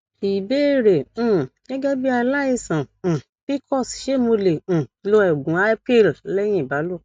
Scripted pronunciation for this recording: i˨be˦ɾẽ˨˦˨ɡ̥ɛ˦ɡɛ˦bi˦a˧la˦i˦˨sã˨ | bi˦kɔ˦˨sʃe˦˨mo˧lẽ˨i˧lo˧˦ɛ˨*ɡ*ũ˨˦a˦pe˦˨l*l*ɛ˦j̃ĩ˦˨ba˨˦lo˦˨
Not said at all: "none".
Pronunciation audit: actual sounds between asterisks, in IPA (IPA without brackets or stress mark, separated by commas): ɡ, l